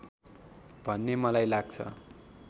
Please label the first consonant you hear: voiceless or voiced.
voiced